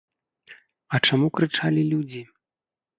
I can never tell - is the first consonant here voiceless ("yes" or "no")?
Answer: yes